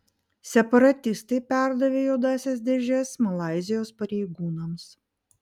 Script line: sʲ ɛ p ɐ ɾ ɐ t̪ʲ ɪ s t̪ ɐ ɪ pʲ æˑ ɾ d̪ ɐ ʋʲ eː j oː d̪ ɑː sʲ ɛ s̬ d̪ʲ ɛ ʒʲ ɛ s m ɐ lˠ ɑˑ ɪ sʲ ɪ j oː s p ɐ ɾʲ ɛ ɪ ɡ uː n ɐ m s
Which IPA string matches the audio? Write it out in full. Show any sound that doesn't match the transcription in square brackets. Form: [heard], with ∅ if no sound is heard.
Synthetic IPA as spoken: sʲ ɛ p ɐ ɾ ɐ t̪ʲ ɪ s t̪ ɐ ɪ pʲ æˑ ɾ d̪ ɐ ʋʲ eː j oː d̪ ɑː sʲ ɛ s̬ d̪ʲ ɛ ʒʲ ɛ s m ɐ lˠ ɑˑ ɪ [zʲ] ɪ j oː s p ɐ ɾʲ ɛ ɪ ɡ uː n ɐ m s